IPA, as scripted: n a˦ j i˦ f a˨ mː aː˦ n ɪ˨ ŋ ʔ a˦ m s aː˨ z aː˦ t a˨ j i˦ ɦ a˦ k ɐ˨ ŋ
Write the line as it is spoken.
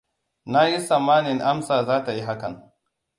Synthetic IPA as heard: n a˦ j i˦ s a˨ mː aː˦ n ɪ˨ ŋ ʔ a˦ m s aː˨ z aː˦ t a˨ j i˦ ɦ a˦ k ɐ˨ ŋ